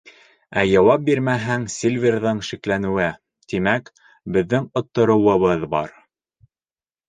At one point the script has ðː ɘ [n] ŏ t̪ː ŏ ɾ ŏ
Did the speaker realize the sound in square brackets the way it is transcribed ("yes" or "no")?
no